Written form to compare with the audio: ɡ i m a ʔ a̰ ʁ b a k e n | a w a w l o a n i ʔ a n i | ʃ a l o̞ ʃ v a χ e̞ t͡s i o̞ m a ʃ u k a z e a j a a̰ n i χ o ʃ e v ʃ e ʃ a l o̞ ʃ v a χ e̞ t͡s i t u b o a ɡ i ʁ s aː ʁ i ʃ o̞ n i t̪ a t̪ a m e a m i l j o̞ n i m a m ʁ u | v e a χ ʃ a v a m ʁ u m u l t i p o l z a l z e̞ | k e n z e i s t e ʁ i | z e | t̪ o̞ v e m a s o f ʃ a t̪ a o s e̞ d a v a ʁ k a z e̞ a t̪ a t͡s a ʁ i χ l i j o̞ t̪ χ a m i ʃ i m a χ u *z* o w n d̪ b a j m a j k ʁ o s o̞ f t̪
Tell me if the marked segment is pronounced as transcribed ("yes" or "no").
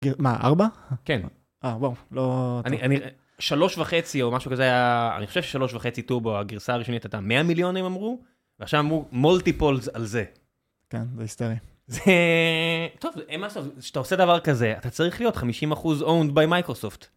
yes